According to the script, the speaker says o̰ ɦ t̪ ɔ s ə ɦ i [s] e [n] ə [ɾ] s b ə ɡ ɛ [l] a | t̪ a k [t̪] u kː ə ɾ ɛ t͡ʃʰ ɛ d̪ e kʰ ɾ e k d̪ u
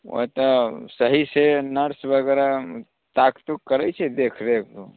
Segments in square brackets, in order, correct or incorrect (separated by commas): correct, correct, correct, incorrect, correct